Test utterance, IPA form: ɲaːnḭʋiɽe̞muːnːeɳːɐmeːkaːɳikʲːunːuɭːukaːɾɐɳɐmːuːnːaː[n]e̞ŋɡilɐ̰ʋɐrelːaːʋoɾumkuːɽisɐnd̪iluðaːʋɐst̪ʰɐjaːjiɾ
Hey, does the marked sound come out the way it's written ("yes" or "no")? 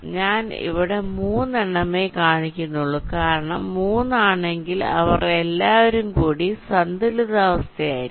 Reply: no